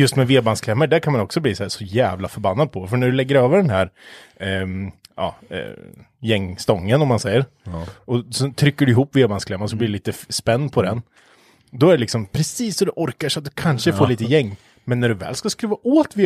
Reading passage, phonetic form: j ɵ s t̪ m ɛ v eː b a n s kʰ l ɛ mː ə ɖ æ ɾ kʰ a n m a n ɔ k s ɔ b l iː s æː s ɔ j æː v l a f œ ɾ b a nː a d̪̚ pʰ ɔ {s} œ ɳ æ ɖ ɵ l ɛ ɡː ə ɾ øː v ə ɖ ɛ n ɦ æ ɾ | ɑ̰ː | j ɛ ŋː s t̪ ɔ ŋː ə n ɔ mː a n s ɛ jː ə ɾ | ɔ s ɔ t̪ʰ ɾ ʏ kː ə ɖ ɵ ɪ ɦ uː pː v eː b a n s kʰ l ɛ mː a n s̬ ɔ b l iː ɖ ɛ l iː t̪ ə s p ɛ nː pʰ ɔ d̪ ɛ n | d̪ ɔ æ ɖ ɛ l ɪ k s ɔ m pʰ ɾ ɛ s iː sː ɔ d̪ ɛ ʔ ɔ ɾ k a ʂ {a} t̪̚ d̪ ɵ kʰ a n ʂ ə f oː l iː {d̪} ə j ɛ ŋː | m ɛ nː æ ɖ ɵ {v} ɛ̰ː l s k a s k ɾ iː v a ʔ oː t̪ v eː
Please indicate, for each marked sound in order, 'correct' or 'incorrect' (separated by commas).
incorrect, correct, incorrect, correct